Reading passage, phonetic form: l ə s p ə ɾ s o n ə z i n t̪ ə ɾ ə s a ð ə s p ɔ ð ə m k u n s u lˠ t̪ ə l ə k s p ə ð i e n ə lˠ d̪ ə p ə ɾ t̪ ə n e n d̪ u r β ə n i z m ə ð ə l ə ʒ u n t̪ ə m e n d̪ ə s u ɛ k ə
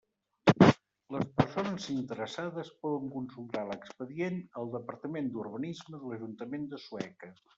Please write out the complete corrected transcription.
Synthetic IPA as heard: l ə s p ə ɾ s o n ə z i n t̪ ə ɾ ə s a ð ə s p ɔ ð ə ŋ k u n s u lˠ t̪ a l ə k s p ə ð i e n ə lˠ d̪ ə p ə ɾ t̪ ə m e n d̪ u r β ə n i z m ə ð ə l ə ʒ u n t̪ ə m e n d̪ ə s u ɛ k ə